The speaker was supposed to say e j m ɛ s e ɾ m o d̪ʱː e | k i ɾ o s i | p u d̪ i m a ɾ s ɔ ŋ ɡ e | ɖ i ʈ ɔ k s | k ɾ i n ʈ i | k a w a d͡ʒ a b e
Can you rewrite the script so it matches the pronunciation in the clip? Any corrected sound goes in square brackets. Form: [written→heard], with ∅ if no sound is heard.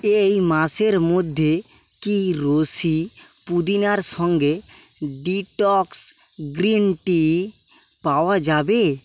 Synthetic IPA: e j m [ɛ→a] s e ɾ m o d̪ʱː e | k i ɾ o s i | p u d̪ i [m→n] a ɾ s ɔ ŋ ɡ e | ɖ i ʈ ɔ k s | [k→ɡ] ɾ i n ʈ i | [k→p] a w a d͡ʒ a b e

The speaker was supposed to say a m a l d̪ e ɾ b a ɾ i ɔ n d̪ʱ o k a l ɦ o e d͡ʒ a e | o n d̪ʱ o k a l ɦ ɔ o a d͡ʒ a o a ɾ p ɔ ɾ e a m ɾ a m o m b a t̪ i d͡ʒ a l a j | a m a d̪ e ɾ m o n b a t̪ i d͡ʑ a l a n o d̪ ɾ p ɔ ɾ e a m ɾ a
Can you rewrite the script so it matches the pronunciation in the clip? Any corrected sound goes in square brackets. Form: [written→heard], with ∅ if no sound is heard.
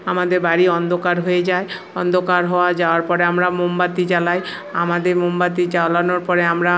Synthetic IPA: a m a [l→∅] d̪ e ɾ b a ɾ i ɔ n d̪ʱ o k a [l→ɾ] ɦ o e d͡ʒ a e | [o→ɔ] n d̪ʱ o k a [l→ɾ] ɦ ɔ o a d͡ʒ a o a ɾ p ɔ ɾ e a m ɾ a m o m b a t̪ i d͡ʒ a l a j | a m a d̪ e ɾ m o [n→m] b a t̪ i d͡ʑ a l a n o [d̪→∅] ɾ p ɔ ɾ e a m ɾ a

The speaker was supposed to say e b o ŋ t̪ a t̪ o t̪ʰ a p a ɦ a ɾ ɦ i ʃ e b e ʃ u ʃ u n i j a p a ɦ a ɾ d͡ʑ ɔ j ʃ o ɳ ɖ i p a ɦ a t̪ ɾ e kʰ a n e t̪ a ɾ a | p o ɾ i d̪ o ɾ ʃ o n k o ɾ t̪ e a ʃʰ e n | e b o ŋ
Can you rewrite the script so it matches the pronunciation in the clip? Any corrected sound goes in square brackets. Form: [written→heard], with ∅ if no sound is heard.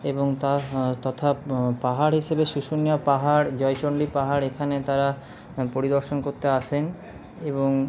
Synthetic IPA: e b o ŋ t̪ a t̪ [o→ɔ] t̪ʰ a p a ɦ a ɾ ɦ i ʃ e b e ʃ u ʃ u n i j a p a ɦ a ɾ d͡ʑ ɔ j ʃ o ɳ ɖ i p a ɦ a [t̪→∅] ɾ e kʰ a n e t̪ a ɾ a | p o ɾ i d̪ o ɾ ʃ o n k o ɾ t̪ e a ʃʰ e n | e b o ŋ

